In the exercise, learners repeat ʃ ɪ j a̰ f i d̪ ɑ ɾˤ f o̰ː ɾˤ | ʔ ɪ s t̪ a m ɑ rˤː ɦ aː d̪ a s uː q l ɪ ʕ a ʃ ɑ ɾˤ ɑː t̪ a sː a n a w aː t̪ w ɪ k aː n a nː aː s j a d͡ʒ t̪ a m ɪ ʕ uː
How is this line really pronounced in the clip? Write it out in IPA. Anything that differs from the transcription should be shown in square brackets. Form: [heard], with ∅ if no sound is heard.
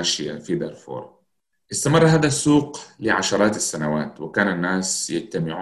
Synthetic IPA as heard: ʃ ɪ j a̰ f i d̪ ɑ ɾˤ f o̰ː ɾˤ | ʔ ɪ s t̪ a m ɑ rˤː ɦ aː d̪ a s uː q l ɪ ʕ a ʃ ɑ ɾˤ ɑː t̪ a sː a n a w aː t̪ w ɪ k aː n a nː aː s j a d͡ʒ t̪ a m ɪ ʕ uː